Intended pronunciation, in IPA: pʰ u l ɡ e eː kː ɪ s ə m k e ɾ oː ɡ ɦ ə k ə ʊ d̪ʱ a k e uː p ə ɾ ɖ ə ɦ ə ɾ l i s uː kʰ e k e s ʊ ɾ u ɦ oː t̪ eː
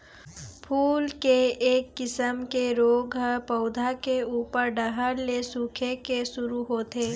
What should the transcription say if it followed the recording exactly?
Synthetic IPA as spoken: pʰ uː l k e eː kː ɪ s ə m k e ɾ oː ɡ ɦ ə p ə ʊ d̪ʱ a k e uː p ə ɾ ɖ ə ɦ ə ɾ l e s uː kʰ e k e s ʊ ɾ u ɦ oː t̪ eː